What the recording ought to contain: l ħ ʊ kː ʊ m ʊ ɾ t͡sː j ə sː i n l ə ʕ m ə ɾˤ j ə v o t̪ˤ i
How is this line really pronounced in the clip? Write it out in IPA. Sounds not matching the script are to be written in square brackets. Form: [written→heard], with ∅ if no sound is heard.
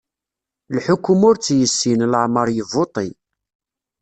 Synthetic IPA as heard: l ħ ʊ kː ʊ m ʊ ɾ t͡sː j ə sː i n l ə ʕ m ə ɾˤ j ə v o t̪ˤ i